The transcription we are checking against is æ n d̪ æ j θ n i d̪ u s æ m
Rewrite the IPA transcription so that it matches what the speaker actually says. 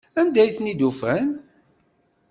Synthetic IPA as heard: æ n d̪ æ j θ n i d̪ u f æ n